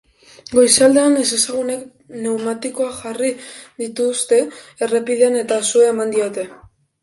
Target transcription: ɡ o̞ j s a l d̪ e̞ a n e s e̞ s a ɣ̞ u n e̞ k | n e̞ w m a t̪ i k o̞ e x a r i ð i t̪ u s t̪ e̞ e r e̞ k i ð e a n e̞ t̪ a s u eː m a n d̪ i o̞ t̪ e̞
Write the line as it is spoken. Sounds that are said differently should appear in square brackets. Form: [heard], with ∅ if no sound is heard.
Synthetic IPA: ɡ o̞ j s a l d̪ e̞ a n e s e̞ s a ɣ̞ u n e̞ k | n e̞ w m a t̪ i k o̞ [a] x a r i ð i t̪ u s t̪ e̞ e r e̞ [p] i ð e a n e̞ t̪ a s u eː m a n d̪ i o̞ t̪ e̞